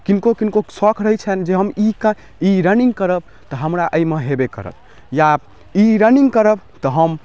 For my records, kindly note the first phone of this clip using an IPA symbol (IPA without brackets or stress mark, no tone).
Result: k